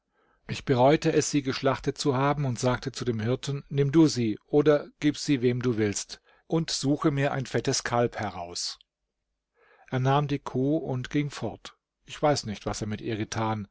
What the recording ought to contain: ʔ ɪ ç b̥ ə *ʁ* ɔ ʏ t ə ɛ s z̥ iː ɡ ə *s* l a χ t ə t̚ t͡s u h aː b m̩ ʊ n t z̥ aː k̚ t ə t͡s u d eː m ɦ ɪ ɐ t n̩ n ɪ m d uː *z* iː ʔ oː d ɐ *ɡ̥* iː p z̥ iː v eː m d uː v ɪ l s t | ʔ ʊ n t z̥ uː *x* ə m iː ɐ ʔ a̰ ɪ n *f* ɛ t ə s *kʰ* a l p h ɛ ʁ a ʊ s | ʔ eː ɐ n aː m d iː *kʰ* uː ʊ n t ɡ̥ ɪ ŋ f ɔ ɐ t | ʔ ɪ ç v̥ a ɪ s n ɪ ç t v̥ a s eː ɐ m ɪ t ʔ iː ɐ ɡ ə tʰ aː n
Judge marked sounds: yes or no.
yes, no, yes, yes, yes, yes, yes, yes

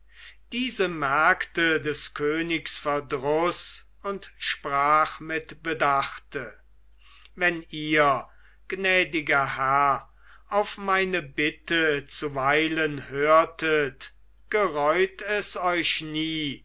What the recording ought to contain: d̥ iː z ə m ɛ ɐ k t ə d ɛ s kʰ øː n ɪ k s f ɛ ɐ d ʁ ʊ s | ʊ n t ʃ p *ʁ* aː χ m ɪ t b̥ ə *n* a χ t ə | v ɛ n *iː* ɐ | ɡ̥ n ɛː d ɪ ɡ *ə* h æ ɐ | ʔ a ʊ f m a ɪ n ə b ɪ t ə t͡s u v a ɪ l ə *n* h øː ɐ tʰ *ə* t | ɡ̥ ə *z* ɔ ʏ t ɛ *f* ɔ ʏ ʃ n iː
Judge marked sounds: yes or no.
yes, no, yes, no, yes, yes, no, no

